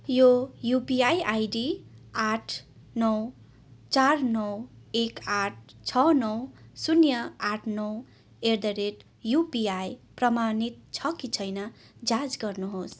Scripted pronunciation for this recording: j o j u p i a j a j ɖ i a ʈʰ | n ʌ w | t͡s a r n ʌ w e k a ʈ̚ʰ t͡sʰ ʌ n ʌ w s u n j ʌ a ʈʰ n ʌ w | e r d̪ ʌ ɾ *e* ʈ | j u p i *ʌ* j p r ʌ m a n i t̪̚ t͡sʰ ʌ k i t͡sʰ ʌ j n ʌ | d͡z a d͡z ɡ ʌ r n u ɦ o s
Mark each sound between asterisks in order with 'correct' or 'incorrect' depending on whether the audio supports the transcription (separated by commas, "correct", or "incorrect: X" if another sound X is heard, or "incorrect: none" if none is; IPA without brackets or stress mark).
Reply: correct, incorrect: a